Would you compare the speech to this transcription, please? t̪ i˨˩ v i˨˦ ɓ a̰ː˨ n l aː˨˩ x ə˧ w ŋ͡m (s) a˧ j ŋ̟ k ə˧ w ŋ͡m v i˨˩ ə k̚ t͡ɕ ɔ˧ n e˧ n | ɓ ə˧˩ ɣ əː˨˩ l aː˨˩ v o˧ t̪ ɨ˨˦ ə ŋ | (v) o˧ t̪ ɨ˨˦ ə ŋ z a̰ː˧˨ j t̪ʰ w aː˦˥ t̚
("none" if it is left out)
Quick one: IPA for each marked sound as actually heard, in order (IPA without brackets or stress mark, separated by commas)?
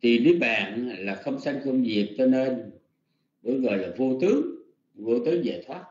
s, v